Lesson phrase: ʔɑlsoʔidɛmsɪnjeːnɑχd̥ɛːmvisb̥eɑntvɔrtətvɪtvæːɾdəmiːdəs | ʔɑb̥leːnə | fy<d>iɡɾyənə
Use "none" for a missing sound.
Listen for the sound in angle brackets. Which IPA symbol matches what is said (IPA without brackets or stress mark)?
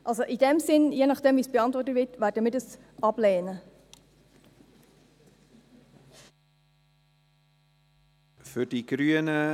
d